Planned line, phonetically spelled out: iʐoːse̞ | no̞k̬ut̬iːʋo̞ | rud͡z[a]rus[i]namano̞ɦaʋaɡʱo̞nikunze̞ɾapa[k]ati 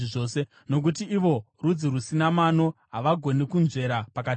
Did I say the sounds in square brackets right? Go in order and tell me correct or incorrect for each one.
incorrect, correct, correct

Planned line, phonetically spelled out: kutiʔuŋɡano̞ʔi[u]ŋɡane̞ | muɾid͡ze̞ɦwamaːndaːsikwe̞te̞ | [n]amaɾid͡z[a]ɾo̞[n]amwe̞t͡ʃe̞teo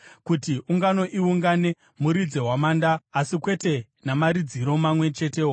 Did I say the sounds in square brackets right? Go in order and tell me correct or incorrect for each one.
correct, correct, incorrect, incorrect

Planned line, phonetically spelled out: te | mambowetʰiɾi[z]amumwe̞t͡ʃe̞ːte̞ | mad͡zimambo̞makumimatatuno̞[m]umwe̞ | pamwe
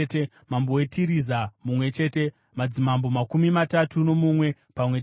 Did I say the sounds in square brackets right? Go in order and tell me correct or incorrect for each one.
correct, correct

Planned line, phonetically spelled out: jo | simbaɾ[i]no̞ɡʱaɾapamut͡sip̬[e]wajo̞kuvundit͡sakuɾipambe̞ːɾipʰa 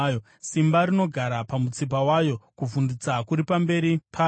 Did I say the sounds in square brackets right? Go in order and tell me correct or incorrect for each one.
correct, incorrect

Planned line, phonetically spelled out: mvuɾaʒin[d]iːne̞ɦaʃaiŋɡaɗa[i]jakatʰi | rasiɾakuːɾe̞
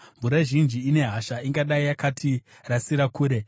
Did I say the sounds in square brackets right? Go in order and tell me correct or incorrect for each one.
incorrect, correct

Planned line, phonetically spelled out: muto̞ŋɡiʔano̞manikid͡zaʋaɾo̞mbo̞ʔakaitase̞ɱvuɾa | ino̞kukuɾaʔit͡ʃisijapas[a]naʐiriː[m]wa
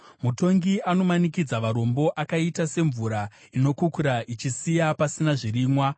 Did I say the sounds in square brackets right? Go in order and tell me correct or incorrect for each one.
incorrect, correct

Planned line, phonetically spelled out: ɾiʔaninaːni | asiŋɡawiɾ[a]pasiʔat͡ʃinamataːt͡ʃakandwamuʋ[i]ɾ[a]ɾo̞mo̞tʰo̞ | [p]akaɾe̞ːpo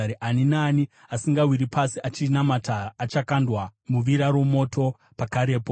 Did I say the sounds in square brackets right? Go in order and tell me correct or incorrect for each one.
incorrect, correct, correct, correct

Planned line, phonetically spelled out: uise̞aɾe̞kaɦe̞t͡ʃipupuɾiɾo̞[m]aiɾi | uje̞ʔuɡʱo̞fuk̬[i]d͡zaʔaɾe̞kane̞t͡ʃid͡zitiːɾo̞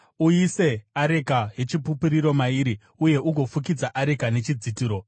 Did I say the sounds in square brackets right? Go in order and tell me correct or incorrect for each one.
correct, correct

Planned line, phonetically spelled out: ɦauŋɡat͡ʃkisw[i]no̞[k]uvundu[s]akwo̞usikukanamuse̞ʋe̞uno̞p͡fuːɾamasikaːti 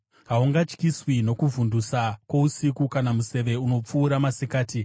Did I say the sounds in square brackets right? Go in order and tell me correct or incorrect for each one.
correct, correct, correct

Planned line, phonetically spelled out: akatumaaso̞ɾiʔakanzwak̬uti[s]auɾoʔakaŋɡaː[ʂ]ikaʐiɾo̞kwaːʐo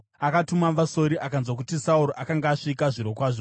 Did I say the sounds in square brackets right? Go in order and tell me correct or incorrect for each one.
correct, correct

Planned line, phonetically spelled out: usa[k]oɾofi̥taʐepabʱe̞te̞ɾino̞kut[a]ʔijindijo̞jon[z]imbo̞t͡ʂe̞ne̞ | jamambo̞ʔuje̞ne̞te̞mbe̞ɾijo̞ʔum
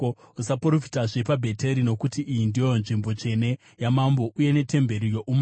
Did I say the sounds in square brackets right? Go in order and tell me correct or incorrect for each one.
incorrect, incorrect, incorrect

